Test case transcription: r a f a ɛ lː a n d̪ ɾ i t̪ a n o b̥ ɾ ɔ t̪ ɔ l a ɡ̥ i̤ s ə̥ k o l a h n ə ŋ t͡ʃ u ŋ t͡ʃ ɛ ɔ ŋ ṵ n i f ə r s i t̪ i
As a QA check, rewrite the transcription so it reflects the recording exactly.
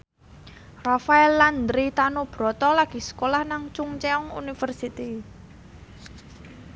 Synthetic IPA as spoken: r a f a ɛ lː a n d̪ ɾ i t̪ a n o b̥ ɾ ɔ t̪ ɔ l a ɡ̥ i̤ s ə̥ k o l a h n a ŋ t͡ʃ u ŋ t͡ʃ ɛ ɔ ŋ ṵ n i f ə r s i t̪ i

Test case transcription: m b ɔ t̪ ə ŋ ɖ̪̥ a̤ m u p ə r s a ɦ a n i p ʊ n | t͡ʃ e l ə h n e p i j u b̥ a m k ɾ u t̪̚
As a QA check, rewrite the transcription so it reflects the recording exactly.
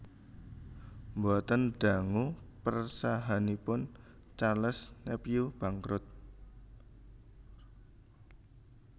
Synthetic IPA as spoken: m b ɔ t̪ ə n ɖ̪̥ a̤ ŋ u p ə r s a ɦ a n i p ʊ n | t͡ʃ a l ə s n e p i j u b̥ a ŋ k ɾ ʊ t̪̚

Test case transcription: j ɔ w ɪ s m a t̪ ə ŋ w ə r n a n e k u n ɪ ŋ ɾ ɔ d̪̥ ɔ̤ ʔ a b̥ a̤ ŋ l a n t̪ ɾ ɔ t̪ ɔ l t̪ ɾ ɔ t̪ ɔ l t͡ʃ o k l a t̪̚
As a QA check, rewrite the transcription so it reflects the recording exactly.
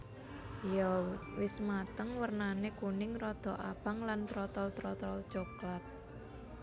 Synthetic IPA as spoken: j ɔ w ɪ s m a t̪ ə ŋ w ə r n a n e k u n ɪ ŋ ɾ ɔ d̪̥ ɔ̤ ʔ a b̥ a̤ ŋ l a n t̪ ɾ ɔ t̪ ɔ l t̪ ɾ ɔ t̪ ɔ l t͡ʃ o k l a t̪̚

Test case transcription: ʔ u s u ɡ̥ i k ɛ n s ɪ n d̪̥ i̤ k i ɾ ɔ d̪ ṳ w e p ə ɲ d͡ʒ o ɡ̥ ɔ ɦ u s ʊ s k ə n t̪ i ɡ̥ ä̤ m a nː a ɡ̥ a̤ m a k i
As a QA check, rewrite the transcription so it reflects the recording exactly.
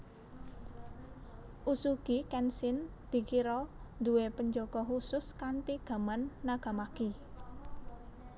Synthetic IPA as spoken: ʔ u s u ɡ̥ i k ɛ n s ɪ n d̪̥ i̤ k i ɾ ɔ d̪ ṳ w e p ə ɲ d͡ʒ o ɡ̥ ɔ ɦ u s ʊ s k a n t̪ i ɡ̥ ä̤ m a nː a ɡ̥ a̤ m a k i

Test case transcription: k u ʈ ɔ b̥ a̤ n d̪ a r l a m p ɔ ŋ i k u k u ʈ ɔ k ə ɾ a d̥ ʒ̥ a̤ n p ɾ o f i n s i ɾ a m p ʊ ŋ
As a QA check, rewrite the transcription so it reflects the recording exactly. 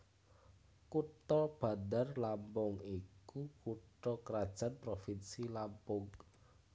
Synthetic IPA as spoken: k u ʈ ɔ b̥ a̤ n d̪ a r l a m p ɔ ŋ i k u k u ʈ ɔ k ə ɾ a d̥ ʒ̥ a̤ n p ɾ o f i n s i l a m p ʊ ŋ

